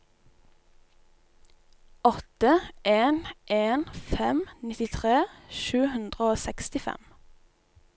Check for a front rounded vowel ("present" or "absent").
absent